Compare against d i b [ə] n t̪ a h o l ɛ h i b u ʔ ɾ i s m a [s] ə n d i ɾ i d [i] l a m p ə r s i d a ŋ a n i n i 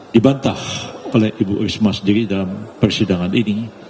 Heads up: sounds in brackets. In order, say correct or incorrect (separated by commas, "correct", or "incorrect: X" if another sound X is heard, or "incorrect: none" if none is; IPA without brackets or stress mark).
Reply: incorrect: a, correct, incorrect: a